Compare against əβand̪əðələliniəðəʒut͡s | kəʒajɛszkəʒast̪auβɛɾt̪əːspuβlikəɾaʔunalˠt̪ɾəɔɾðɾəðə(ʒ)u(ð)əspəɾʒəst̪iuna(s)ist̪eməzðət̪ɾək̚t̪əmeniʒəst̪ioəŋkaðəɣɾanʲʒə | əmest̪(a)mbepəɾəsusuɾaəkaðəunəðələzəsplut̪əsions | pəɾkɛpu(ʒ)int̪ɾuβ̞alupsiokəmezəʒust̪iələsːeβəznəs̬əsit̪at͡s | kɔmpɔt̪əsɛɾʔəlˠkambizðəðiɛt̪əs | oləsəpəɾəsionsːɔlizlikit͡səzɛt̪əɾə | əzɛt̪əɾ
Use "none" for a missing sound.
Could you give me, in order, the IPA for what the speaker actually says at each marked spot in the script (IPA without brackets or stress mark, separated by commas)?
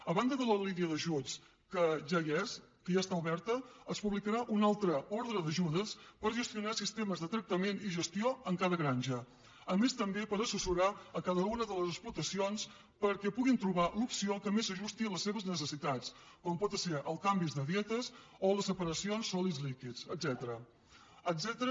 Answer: ʒ, ð, s, ə, ɣ